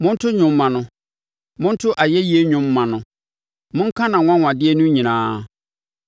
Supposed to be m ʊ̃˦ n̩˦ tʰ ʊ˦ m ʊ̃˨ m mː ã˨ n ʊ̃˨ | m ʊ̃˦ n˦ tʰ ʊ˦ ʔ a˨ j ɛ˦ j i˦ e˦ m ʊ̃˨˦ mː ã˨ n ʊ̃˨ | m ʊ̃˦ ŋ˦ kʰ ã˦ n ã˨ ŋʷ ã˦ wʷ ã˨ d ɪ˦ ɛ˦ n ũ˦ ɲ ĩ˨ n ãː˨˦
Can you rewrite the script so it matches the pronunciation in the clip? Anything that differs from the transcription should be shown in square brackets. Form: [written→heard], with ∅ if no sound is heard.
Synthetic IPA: m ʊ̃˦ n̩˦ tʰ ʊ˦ [m→ɲ] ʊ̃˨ m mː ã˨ n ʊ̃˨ | m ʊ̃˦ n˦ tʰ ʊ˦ ʔ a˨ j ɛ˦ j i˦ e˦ [m→ɲ] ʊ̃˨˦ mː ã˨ n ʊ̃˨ | m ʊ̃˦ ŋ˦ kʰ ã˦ n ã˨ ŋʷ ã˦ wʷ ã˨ d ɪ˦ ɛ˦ n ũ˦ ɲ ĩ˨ n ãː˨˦